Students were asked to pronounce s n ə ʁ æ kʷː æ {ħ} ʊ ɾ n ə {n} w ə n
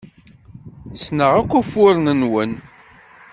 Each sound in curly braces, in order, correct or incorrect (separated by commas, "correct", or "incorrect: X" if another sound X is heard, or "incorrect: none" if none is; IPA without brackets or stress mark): incorrect: f, correct